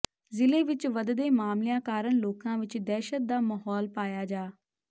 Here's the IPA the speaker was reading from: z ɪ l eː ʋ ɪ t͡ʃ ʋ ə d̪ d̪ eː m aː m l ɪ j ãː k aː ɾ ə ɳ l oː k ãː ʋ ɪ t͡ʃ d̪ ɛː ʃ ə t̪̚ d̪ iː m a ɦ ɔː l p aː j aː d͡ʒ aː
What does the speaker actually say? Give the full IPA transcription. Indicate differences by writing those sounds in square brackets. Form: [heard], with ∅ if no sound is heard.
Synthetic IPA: z ɪ l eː ʋ ɪ t͡ʃ ʋ ə d̪ d̪ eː m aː m l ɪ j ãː k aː ɾ ə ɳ l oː k ãː ʋ ɪ t͡ʃ d̪ ɛː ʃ ə t̪̚ d̪ [aː] m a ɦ ɔː l p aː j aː d͡ʒ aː